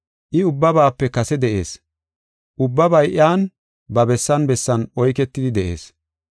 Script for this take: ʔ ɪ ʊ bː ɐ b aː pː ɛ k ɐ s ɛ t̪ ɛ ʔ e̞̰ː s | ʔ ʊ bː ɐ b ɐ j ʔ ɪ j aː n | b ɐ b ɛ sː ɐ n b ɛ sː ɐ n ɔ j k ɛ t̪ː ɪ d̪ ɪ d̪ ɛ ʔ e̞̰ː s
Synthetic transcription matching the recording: ʔ ɪ ʊ bː ɐ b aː pː ɛ k ɐ s ɛ d̪ ɛ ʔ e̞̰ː s | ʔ ʊ bː ɐ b ɐ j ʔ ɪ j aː n | b ɐ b ɛ sː ɐ n b ɛ sː ɐ n ɔ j k ɛ t̪ː ɪ d̪ ɪ d̪ ɛ ʔ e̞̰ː s